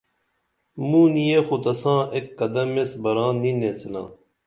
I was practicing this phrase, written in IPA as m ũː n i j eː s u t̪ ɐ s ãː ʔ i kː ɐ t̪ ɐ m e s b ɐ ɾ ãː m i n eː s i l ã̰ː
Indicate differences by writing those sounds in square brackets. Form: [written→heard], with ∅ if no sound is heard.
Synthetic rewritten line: m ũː n i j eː [s→x] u t̪ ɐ s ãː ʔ [i→e] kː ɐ [t̪→d̪] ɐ m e s b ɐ ɾ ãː [m→n] i n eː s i l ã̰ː